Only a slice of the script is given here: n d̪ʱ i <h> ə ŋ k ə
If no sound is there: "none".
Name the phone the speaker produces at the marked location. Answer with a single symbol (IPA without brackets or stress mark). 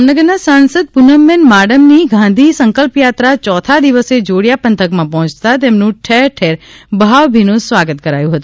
s